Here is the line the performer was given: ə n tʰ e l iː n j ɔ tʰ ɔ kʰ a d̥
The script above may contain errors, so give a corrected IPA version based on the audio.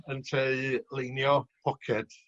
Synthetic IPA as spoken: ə n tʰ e l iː n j ɔ pʰ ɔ kʰ ɛ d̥